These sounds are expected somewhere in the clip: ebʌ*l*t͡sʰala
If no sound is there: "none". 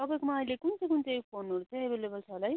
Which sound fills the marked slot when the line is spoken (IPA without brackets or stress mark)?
l